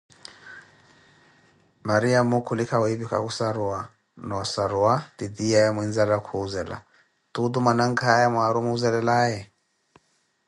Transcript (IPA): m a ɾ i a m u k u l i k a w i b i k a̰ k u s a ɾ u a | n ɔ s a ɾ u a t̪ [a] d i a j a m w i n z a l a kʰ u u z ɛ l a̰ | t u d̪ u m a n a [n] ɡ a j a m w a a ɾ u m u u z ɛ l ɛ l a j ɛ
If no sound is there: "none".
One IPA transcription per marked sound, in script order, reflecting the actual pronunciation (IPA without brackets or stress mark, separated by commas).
i, ŋ